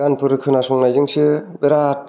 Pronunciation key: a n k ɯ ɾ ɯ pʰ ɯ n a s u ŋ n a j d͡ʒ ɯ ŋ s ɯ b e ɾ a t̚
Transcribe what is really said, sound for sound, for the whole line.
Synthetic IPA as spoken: a n p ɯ ɾ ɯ kʰ ɯ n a s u ŋ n a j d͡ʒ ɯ ŋ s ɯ b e ɾ a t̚